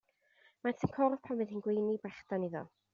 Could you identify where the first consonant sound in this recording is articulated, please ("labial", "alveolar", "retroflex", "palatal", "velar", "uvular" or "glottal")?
labial